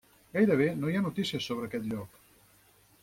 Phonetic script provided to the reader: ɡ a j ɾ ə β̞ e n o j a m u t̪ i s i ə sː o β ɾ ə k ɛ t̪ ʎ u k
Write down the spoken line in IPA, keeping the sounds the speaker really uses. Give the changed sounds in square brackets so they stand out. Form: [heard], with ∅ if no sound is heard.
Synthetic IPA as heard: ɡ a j ɾ ə β̞ e n o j a [n] u t̪ i s i ə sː o β ɾ ə k ɛ t̪ ʎ [ɔ] k